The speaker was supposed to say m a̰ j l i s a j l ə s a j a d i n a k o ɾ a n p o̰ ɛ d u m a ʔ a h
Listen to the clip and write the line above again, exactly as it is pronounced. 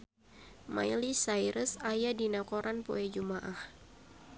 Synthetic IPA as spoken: m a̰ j l i s a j ɾ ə s a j a d i n a k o ɾ a n p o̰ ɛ d͡ʒ u m a ʔ a h

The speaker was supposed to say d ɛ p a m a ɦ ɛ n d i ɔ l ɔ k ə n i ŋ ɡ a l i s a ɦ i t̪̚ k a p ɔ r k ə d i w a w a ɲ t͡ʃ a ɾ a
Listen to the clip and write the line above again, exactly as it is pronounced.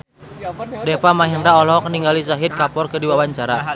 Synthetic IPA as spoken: d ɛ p a m a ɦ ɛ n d a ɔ l ɔ k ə n i ŋ ɡ a l i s a ɦ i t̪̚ k a p ɔ r k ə d i w a w a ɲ t͡ʃ a ɾ a

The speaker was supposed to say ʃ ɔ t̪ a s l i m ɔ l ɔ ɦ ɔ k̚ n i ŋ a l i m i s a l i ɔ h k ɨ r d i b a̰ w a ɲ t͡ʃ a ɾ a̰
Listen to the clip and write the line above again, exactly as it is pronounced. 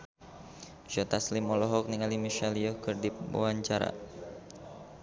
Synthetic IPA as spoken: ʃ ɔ t̪ a s l i m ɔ l ɔ ɦ ɔ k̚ n i ŋ a l i m i ʃ a l i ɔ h k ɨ r d i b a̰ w a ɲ t͡ʃ a ɾ a̰

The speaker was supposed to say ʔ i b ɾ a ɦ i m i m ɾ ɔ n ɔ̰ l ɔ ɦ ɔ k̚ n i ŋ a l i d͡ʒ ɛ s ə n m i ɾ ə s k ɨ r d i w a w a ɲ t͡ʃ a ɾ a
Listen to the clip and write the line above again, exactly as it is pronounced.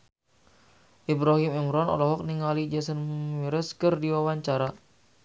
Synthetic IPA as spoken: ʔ i b ɾ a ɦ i m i m ɾ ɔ n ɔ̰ l ɔ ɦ ɔ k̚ n i ŋ a l i d͡ʒ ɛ s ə n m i ɾ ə s k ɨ r d i w a w a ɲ t͡ʃ a ɾ a

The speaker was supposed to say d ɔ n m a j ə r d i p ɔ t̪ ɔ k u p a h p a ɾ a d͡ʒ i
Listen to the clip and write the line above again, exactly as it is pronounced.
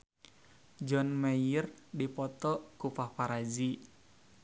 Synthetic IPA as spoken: d͡ʒ ɔ n m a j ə r d i p ɔ t̪ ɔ k u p a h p a ɾ a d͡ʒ i

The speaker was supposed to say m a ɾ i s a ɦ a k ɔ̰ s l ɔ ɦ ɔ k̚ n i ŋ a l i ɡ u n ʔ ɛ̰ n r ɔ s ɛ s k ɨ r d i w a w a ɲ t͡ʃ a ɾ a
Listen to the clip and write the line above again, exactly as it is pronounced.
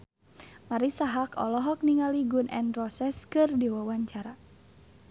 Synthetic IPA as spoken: m a ɾ i s a ɦ a k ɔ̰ l ɔ ɦ ɔ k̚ n i ŋ a l i ɡ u n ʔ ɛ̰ n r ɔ s ɛ s k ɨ r d i w a w a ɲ t͡ʃ a ɾ a

